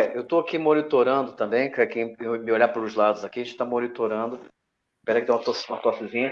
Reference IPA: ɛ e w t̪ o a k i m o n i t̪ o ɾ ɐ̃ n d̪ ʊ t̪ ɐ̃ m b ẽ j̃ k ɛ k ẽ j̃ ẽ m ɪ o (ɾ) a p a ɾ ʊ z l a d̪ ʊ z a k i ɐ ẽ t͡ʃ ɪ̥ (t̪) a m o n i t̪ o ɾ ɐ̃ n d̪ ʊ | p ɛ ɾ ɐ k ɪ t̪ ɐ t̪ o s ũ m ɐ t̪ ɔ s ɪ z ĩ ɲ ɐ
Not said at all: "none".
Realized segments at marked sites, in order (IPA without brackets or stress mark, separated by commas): ʎ, t̪